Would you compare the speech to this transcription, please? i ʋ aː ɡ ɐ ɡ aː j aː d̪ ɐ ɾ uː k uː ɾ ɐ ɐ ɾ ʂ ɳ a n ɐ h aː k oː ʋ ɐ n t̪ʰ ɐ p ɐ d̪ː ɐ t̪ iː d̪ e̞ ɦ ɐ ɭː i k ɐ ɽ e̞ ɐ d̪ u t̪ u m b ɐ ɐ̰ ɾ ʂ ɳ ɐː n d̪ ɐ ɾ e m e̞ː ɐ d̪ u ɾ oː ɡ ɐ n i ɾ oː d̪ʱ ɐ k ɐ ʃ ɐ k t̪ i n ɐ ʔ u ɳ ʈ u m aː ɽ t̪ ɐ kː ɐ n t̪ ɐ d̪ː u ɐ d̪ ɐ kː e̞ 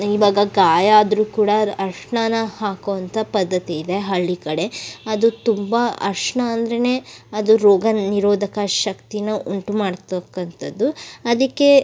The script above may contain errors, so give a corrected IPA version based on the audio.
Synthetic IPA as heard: i ʋ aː ɡ ɐ ɡ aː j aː d̪ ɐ ɾ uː k uː ɽ ɐ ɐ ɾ ʂ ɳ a n ɐ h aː k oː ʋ ɐ n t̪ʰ ɐ p ɐ d̪ː ɐ t̪ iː d̪ e̞ ɦ ɐ ɭː i k ɐ ɽ e̞ ɐ d̪ u t̪ u m b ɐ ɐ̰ ɾ ʂ ɳ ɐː n d̪ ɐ ɾ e n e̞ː ɐ d̪ u ɾ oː ɡ ɐ n i ɾ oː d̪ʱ ɐ k ɐ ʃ ɐ k t̪ i n ɐ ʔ u ɳ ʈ u m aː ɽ t̪ ɐ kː ɐ n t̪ ɐ d̪ː u ɐ d̪ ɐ kː e̞